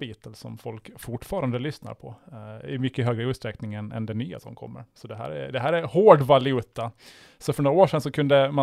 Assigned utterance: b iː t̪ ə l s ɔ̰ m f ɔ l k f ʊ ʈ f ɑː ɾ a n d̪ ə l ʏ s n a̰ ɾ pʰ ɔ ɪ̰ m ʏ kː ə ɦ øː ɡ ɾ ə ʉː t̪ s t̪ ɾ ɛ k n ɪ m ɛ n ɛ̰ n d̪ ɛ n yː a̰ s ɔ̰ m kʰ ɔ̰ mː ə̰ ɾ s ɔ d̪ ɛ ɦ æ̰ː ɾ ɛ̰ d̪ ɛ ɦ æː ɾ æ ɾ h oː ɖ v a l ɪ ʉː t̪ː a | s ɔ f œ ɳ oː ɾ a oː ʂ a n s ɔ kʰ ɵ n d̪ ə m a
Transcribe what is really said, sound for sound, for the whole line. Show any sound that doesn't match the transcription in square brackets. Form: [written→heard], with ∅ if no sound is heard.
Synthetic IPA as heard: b iː t̪ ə l s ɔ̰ m f ɔ l k f ʊ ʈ f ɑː ɾ a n d̪ ə l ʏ s n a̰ ɾ pʰ ɔ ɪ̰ m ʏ kː ə ɦ øː ɡ ɾ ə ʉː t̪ s t̪ ɾ ɛ k n ɪ [m→ŋ] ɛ n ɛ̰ n d̪ ɛ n yː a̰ s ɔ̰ m kʰ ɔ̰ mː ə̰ ɾ s ɔ d̪ ɛ ɦ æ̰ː ɾ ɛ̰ d̪ ɛ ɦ æː ɾ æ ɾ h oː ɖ v a l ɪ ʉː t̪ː a | s ɔ f œ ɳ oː ɾ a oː ʂ [a→ɛ] n s ɔ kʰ ɵ n d̪ ə m a